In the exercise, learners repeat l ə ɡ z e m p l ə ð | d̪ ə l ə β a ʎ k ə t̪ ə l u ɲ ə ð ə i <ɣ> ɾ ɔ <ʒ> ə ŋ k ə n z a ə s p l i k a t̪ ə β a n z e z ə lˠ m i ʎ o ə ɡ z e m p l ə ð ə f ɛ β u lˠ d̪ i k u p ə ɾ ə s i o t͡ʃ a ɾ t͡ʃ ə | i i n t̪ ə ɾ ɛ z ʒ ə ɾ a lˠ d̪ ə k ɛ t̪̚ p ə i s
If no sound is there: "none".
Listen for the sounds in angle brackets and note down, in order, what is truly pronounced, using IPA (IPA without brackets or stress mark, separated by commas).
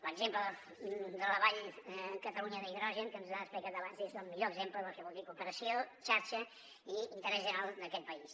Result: ð, ʒ